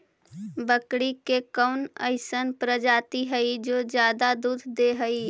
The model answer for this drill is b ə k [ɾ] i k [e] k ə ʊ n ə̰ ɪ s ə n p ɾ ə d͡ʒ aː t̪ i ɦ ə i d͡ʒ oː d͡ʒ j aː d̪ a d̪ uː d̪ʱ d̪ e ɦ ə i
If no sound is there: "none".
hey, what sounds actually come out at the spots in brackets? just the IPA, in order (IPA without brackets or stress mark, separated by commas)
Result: ɽ, e